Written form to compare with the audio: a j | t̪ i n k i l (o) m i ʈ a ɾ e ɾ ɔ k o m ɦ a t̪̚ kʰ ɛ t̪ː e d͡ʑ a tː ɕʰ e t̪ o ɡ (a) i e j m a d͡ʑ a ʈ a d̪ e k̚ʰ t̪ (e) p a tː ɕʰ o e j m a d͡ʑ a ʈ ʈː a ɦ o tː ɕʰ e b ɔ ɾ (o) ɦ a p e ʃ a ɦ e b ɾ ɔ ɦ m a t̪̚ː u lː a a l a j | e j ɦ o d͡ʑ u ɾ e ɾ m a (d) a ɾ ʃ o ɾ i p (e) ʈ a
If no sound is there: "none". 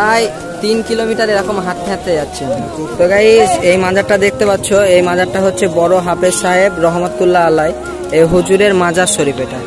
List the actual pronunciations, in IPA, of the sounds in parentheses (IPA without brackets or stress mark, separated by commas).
o, a, e, o, d͡ʑ, e